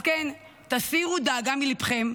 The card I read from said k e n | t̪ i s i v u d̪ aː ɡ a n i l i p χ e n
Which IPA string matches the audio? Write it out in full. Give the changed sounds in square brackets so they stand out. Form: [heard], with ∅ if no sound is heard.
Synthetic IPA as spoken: k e n | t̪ [a] s i [ʁ] u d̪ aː ɡ a [m] i l i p χ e [m]